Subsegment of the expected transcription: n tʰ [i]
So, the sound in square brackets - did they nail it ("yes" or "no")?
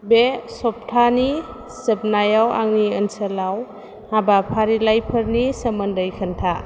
no